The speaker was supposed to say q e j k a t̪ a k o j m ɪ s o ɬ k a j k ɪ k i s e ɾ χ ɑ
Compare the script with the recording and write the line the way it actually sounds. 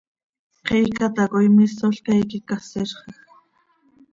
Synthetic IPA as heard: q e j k a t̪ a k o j m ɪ s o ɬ k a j k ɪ k a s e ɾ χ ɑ